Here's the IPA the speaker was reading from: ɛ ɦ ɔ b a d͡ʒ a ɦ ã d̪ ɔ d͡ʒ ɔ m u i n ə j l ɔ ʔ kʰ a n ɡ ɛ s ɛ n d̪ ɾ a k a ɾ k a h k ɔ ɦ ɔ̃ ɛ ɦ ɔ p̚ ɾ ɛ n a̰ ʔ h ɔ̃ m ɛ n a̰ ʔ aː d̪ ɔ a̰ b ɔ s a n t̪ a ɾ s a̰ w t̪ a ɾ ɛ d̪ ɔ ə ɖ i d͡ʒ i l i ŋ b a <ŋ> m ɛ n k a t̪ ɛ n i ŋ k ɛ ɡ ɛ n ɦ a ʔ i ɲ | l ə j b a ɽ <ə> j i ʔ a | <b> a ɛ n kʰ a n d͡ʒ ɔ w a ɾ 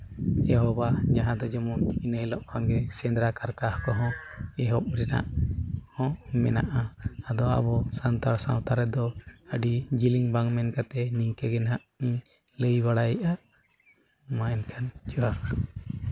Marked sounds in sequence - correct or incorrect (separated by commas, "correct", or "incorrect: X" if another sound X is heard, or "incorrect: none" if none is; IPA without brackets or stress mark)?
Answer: correct, incorrect: a, incorrect: m